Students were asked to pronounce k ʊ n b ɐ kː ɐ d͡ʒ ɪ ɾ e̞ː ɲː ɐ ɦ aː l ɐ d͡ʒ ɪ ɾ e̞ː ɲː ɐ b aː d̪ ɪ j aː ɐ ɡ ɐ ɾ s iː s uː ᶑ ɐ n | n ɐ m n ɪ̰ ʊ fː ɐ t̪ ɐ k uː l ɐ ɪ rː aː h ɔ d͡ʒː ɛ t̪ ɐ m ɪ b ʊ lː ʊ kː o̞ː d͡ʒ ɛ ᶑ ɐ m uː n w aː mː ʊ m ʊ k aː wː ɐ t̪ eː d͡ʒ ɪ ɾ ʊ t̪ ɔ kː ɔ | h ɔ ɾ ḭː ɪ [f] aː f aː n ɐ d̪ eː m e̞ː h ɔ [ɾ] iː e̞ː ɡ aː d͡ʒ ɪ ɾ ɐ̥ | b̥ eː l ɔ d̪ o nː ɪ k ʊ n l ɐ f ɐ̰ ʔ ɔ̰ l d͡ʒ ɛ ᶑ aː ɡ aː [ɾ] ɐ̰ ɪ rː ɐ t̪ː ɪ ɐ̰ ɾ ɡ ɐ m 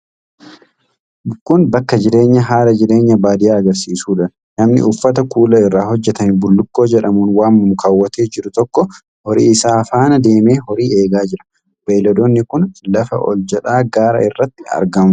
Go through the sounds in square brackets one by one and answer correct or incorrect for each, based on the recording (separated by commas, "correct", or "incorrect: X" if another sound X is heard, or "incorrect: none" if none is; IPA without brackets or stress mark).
incorrect: s, correct, correct